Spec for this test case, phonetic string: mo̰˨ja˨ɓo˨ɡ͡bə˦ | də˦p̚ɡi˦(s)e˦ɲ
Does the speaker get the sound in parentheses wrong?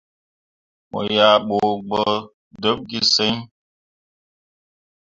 no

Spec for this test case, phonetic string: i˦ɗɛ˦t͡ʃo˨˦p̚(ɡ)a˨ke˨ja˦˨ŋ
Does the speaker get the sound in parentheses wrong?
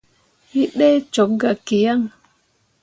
no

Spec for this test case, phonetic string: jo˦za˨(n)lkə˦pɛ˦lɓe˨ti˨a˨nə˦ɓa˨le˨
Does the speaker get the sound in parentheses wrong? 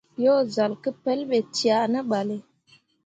yes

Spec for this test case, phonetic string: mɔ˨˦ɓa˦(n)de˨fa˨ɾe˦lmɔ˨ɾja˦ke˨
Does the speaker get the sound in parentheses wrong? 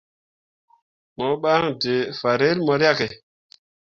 yes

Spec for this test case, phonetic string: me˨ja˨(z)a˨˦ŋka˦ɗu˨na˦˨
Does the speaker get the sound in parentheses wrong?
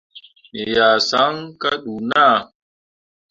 yes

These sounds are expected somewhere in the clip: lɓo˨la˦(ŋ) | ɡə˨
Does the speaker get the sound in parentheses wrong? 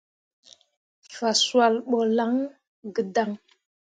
no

